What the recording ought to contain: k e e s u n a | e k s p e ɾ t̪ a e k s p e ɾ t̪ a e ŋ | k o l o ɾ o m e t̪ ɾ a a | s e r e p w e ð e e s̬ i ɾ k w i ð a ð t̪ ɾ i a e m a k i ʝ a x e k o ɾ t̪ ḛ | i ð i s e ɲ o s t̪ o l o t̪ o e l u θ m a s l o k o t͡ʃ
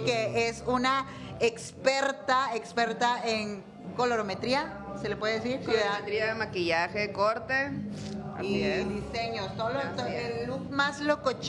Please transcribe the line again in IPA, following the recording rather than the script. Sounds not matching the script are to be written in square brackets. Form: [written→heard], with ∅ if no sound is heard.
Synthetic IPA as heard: k e e s u n a | e k s p e ɾ t̪ a e k s p e ɾ t̪ a e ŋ | k o l o ɾ o m e t̪ ɾ [a→i] a | s e [r→l] e p w e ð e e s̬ i ɾ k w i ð a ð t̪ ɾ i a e m a k i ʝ a x e k o ɾ t̪ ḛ | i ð i s e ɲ o s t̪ o l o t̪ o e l u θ m a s l o k o t͡ʃ

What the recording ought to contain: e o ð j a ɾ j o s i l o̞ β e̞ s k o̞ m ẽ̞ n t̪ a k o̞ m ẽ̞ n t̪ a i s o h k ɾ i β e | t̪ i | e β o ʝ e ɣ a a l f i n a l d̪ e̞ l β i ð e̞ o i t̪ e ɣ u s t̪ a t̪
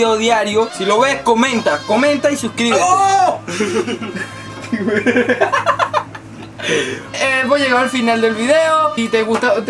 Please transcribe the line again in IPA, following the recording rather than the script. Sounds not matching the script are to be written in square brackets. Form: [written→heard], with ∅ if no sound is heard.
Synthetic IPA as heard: e o ð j a ɾ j o s i l o̞ β e̞ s k o̞ m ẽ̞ n t̪ a k o̞ m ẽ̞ n t̪ a i s [o→u] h k ɾ i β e | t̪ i | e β o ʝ e ɣ a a l f i n a l d̪ e̞ l β i ð e̞ o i t̪ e ɣ u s t̪ a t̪

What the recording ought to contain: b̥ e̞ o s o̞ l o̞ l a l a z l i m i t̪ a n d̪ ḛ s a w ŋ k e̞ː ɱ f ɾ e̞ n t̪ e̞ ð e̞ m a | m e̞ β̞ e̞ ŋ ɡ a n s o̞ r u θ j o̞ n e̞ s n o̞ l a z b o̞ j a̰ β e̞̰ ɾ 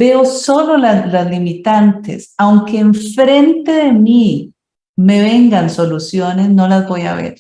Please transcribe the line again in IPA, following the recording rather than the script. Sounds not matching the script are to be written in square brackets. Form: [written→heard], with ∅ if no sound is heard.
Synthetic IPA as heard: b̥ e̞ o s o̞ l o̞ l a l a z l i m i t̪ a n [d̪→t̪] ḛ s a w ŋ k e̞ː ɱ f ɾ e̞ n t̪ e̞ ð e̞ m [a→i] | m e̞ β̞ e̞ ŋ ɡ a n s o̞ [r→l] u [θ→s] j o̞ n e̞ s n o̞ l a z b o̞ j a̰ β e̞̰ ɾ

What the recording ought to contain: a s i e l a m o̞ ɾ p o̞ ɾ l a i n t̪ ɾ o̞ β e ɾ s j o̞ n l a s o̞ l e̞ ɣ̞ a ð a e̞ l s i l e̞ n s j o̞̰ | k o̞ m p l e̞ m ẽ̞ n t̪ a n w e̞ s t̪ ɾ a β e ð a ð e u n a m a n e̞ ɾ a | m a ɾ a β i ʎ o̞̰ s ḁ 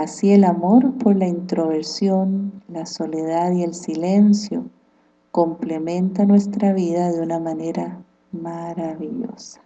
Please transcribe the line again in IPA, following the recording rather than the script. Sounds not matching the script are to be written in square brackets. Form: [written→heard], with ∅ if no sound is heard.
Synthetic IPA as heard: a s i e l a m o̞ ɾ p o̞ ɾ l a i n t̪ ɾ o̞ β e ɾ s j o̞ n l a s o̞ l e̞ [ɣ̞→ð̞] a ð [a→i] e̞ l s i l e̞ n s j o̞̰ | k o̞ m p l e̞ m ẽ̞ n t̪ a n w e̞ s t̪ ɾ a β [e→i] ð a ð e u n a m a n e̞ ɾ a | m a ɾ a β i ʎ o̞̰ s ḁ

